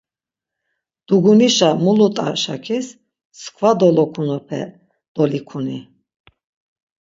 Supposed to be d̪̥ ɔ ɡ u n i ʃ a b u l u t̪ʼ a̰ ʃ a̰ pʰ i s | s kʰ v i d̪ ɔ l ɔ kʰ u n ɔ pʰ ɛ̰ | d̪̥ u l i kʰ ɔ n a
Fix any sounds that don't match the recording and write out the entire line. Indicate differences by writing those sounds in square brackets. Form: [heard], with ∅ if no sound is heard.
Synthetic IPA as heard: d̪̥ [u] ɡ u n i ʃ a [m] u l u t̪ʼ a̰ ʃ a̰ [kʰ] i s | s kʰ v [a] d̪ ɔ l ɔ kʰ u n ɔ pʰ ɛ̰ | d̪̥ [ɔ] l i kʰ [u] n [i]